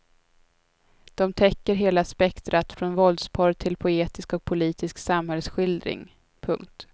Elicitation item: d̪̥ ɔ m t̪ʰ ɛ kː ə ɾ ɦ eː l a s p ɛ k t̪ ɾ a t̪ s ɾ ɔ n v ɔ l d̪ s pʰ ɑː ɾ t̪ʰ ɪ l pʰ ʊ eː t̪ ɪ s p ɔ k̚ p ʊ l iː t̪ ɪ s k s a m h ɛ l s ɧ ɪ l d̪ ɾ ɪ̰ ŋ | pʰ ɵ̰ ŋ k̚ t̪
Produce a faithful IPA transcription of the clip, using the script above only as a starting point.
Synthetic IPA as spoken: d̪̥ ɔ m t̪ʰ ɛ kː ə ɾ ɦ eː l a s p ɛ k t̪ ɾ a t̪ f ɾ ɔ n v ɔ l d̪ s pʰ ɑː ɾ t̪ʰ ɪ l pʰ ʊ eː t̪ ɪ s k ɔ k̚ pʰ ʊ l iː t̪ ɪ s k s a m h ɛ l s ɧ ɪ l d̪ ɾ ɪ̰ ŋ | pʰ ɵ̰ ŋ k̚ t̪